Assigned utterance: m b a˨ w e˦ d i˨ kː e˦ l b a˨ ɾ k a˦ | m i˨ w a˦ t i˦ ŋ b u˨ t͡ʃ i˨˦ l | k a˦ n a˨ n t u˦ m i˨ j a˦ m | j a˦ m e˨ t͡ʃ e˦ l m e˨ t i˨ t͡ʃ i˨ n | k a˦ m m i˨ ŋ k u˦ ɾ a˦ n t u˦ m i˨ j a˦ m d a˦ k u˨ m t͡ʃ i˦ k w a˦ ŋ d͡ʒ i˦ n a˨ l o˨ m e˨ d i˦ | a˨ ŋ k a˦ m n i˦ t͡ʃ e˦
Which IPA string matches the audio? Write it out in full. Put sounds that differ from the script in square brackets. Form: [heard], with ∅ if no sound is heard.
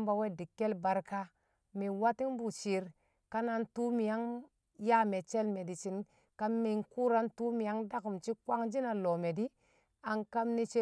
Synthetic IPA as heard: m b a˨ w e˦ d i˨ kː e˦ l b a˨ ɾ k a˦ | m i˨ w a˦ t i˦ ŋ b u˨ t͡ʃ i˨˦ [ɾ] | k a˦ n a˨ n t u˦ m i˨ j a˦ [ŋ] | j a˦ m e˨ t͡ʃ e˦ l m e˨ [d] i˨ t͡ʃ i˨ n | k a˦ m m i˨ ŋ k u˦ ɾ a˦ n t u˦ m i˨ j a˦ [ŋ] d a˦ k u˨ m t͡ʃ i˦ k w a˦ ŋ d͡ʒ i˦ n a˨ l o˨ m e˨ d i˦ | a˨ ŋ k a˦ m n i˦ t͡ʃ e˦

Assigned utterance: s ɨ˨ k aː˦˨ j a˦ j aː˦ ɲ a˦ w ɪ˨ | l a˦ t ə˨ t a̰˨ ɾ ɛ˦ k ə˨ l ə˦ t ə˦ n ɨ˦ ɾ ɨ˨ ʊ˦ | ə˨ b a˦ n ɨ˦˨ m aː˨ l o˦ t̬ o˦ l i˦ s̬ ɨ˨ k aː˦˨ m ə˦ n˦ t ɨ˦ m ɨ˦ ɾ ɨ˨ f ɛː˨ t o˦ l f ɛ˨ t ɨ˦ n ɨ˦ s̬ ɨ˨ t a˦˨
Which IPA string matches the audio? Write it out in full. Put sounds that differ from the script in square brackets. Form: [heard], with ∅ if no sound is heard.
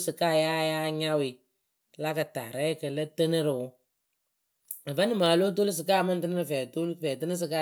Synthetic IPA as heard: s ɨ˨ k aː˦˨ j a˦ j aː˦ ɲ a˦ w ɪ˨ | l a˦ [k] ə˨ t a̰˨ ɾ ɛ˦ k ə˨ l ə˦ t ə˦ n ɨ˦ ɾ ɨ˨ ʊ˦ | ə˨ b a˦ n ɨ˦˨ m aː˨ l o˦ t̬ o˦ l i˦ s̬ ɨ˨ k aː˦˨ m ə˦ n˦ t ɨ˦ [n] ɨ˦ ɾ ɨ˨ f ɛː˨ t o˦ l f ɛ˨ t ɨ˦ n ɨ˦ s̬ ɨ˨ [k] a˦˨

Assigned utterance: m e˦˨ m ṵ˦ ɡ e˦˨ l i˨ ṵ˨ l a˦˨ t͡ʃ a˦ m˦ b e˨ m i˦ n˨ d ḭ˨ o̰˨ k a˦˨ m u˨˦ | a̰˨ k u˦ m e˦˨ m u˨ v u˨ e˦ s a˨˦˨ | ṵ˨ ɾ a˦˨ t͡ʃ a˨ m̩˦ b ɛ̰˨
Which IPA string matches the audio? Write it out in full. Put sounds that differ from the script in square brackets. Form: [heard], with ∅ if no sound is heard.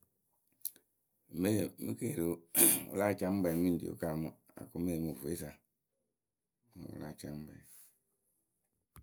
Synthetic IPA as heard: m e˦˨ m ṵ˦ [k] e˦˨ [ɾ] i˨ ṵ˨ l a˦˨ t͡ʃ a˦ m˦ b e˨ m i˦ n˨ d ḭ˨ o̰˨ k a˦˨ m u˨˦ | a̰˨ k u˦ m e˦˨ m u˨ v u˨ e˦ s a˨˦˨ | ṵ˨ [l] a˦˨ t͡ʃ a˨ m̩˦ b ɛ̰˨

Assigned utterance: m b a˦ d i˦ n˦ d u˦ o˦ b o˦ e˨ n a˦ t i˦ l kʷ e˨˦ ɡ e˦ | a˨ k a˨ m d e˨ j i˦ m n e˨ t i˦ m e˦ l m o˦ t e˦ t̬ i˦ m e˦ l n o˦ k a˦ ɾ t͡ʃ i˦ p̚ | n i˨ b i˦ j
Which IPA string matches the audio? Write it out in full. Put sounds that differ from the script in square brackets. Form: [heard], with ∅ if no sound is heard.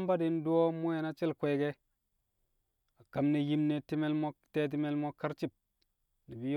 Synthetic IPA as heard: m b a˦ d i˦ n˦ d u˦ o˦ [m] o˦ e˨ n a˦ [t͡ʃ] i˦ l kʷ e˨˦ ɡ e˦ | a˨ k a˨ m [n] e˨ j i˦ m n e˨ t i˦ m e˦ l m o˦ t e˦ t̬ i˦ m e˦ l [m] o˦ k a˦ ɾ t͡ʃ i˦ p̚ | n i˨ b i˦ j

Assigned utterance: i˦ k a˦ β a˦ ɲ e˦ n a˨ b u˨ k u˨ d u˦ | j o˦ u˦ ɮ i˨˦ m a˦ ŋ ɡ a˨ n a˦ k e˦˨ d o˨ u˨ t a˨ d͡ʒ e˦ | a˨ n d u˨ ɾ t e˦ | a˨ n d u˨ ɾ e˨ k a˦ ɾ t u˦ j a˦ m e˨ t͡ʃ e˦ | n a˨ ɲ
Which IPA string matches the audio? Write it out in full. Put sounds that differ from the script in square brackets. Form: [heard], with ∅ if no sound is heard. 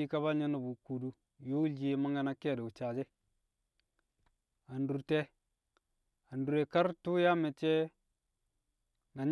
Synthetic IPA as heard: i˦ k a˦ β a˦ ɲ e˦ n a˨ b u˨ k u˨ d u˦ | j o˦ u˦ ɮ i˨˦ m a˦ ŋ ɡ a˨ n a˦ k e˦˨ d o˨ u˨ [t͡ʃ] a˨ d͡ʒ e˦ | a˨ n d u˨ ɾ t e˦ | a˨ n d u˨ ɾ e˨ k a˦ ɾ t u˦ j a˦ m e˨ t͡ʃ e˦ | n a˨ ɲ

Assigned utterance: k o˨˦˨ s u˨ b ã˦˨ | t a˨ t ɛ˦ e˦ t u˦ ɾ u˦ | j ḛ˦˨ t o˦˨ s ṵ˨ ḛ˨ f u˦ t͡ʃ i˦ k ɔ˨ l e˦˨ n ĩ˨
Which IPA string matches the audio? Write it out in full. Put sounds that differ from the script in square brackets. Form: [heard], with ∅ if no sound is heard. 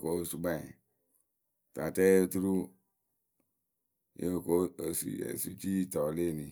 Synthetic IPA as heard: k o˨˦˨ s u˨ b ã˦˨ | t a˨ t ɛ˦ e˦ t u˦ ɾ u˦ | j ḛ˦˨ [k] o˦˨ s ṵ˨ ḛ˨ [s] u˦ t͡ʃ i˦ [t] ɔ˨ l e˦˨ n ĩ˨

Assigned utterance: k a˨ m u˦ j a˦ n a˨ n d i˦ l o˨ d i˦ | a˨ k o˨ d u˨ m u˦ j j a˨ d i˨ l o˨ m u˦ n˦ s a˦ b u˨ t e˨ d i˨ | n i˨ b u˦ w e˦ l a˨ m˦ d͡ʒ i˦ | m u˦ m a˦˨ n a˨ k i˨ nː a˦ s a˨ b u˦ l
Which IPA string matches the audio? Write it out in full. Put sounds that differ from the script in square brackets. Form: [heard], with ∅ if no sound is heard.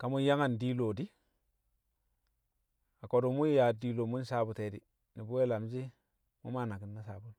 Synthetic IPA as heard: k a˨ m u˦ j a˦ [ŋ] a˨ n d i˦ l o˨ d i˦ | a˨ k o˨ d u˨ m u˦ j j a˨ d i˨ l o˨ m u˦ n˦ s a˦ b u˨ t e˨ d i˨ | n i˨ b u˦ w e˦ l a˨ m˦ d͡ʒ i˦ | m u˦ m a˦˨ n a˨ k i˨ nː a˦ s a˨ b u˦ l

